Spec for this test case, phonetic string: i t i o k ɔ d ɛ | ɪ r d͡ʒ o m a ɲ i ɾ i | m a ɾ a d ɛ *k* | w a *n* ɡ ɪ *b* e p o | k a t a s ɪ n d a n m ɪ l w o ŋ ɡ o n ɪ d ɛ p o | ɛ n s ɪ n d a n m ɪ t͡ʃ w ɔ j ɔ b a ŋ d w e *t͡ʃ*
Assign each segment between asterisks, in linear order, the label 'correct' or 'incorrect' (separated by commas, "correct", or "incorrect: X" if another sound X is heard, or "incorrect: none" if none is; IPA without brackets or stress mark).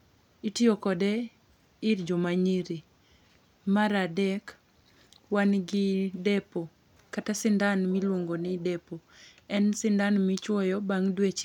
correct, correct, incorrect: d, correct